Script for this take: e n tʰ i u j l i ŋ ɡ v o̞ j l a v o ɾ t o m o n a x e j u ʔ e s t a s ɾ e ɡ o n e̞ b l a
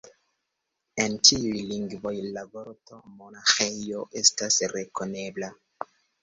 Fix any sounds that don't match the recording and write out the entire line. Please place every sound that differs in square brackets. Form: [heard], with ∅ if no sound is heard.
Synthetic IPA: e n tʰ i u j l i ŋ ɡ v o̞ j l a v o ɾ t o m o n a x e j [o] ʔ e s t a s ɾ e [k] o n e̞ b l a